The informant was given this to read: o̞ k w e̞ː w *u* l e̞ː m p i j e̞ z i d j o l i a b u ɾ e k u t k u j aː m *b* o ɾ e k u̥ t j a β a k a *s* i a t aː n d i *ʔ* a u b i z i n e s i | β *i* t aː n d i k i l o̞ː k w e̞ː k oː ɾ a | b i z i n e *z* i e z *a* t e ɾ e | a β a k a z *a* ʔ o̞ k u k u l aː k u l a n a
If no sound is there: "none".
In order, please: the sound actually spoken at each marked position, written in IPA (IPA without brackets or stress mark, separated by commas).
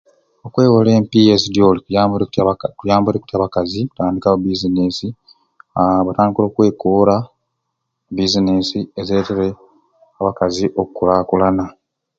o, b, z, k, a, s, e, i